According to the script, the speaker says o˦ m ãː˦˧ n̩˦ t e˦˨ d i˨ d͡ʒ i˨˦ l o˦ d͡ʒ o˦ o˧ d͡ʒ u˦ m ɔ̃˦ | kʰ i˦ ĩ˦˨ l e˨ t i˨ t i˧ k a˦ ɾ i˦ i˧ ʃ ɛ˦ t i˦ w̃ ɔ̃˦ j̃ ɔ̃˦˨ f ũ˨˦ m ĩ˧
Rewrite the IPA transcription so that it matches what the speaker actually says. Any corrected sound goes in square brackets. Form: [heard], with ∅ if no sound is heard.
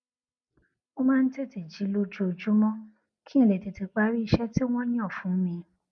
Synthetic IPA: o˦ m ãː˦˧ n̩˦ t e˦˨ [t] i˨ d͡ʒ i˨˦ l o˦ d͡ʒ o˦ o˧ d͡ʒ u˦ m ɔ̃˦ | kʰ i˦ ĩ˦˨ l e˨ t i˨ t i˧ [k͡p] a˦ ɾ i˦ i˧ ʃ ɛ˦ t i˦ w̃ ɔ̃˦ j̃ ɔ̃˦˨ f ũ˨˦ m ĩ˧